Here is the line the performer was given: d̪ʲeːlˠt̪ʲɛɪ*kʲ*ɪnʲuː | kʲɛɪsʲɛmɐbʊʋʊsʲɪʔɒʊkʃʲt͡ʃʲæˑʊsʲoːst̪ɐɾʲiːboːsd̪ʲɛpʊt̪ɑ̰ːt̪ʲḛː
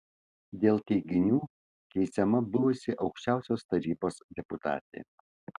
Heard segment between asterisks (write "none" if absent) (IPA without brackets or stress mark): ɡʲ